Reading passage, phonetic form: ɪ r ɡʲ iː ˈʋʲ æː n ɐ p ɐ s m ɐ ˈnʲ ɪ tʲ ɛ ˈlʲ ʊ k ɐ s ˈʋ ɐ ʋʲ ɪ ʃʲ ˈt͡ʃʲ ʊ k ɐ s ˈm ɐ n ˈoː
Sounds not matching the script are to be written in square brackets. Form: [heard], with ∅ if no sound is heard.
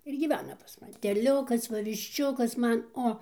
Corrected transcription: ɪ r ɡʲ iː ˈʋʲ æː n ɐ p ɐ s m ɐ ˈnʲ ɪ tʲ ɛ ˈlʲ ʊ k ɐ s ˈʋ ɐ ʋʲ ɪ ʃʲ ˈt͡ʃʲ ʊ k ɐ s ˈm ɐ n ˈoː

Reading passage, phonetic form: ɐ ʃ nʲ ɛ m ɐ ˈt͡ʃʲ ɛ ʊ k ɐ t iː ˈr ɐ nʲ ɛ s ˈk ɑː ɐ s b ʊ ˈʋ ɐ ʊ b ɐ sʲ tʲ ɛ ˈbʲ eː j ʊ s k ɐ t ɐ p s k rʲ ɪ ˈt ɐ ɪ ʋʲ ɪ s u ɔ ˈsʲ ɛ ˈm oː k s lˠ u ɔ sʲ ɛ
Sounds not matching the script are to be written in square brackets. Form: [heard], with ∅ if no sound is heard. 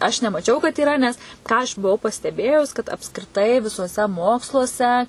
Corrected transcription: ɐ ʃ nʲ ɛ m ɐ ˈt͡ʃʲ ɛ ʊ k ɐ t iː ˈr ɐ nʲ ɛ s ˈk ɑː ɐ [ʃ] b ʊ ˈʋ ɐ ʊ [p] ɐ sʲ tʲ ɛ ˈbʲ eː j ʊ s k ɐ t ɐ p s k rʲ ɪ ˈt ɐ ɪ ʋʲ ɪ s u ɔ ˈsʲ ɛ ˈm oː k s lˠ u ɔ sʲ ɛ

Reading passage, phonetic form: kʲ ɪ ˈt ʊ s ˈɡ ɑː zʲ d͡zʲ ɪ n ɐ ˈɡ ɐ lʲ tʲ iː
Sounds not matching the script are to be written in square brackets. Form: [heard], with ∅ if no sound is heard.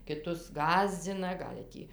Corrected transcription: kʲ ɪ ˈt ʊ s ˈɡ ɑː zʲ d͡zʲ ɪ n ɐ ˈɡ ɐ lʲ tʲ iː

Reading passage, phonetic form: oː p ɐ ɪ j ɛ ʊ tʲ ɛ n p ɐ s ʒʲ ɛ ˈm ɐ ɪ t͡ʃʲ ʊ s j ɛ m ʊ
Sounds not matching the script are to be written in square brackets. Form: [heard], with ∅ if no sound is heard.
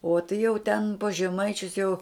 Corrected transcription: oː [t] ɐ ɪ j ɛ ʊ tʲ ɛ n p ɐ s ʒʲ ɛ ˈm ɐ ɪ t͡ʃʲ ʊ s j ɛ [∅] ʊ

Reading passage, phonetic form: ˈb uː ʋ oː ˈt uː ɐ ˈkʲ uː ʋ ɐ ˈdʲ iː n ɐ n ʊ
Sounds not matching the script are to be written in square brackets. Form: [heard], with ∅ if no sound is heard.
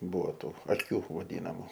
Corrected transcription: ˈb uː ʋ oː ˈt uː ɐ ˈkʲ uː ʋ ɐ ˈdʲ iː n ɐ [m] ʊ

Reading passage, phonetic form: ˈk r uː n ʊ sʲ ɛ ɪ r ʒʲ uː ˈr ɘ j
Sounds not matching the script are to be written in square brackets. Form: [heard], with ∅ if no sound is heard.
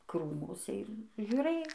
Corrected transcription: ˈk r uː [m] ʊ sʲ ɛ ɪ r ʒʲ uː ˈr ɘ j

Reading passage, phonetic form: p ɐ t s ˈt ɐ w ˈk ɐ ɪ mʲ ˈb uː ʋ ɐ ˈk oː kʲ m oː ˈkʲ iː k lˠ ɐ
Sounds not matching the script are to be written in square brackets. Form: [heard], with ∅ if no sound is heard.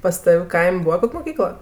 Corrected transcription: p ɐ [∅] s ˈt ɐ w ˈk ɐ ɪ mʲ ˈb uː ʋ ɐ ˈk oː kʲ m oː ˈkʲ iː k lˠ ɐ

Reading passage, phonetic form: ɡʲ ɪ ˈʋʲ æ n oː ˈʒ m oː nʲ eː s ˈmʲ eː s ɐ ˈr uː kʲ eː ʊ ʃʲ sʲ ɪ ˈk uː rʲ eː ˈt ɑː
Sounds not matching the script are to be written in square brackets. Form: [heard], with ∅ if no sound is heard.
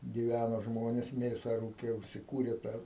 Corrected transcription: ɡʲ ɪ ˈʋʲ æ n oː ˈʒ m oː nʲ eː s ˈmʲ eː s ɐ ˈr uː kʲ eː ʊ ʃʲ sʲ ɪ ˈk uː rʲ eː ˈt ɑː

